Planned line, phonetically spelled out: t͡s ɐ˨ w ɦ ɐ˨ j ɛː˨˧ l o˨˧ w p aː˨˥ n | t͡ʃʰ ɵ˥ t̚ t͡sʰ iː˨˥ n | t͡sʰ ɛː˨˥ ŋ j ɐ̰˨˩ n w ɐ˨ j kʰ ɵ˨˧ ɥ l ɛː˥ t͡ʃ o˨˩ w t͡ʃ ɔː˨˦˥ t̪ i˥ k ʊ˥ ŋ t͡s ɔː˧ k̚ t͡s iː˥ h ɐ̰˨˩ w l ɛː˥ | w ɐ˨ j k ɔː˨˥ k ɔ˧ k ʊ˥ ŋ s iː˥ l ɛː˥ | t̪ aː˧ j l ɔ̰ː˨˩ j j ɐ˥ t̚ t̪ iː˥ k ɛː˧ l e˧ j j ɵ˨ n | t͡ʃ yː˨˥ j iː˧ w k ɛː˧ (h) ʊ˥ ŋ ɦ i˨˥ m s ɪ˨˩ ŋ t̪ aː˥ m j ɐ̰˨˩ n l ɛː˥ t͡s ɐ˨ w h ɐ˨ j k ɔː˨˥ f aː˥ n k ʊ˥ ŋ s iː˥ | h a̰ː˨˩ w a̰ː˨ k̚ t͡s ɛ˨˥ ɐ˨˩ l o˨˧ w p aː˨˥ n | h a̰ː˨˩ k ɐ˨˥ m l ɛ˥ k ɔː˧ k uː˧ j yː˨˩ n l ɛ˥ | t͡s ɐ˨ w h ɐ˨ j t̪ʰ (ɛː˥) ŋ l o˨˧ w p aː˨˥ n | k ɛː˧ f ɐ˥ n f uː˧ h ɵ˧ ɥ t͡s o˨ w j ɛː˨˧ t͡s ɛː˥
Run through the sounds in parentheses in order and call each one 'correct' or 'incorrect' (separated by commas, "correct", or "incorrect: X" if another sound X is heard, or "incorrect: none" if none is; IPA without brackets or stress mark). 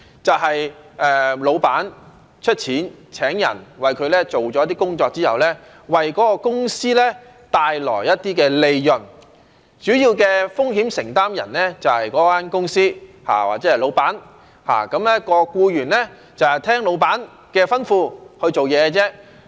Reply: incorrect: f, correct